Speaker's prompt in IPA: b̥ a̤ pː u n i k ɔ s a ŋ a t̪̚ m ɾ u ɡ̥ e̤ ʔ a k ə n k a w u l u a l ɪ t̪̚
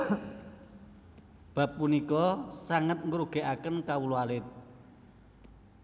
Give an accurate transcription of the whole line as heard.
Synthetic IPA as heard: b̥ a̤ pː u n i k ɔ s a ŋ ə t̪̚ ŋ ɾ u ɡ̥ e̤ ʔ a k ə n k a w u l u a l ɪ t̪̚